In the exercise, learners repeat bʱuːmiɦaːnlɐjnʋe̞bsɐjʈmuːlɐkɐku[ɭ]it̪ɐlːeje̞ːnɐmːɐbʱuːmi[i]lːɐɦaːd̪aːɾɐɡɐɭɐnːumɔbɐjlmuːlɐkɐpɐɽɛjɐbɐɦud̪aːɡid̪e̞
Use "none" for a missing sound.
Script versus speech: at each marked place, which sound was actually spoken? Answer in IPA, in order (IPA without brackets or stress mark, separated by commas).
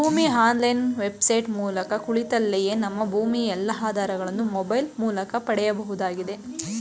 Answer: ɭ, ɛ